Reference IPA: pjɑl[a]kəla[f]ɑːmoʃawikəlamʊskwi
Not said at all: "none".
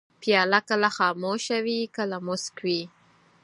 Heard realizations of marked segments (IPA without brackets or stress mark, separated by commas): a, x